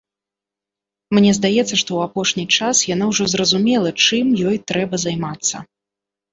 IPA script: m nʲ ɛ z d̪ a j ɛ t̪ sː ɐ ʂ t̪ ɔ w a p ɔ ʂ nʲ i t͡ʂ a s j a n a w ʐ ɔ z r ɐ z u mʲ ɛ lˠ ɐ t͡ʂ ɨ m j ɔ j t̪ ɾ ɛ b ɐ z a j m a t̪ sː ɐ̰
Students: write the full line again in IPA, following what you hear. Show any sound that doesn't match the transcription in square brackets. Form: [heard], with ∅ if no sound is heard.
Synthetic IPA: m nʲ ɛ z d̪ a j ɛ t̪ sː ɐ ʂ t̪ ɔ w a p ɔ ʂ nʲ i t͡ʂ a s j a n a w ʐ ɔ z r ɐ z u mʲ ɛ lˠ ɐ t͡ʂ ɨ m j ɔ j t̪ ɾ ɛ b ɐ z a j m a t̪ sː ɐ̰